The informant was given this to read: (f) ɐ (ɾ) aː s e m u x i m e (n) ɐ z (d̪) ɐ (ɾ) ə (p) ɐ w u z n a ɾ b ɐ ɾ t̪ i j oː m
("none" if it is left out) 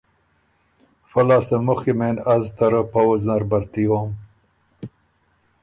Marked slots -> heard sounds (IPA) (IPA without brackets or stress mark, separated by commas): f, l, n, t̪, ɾ, p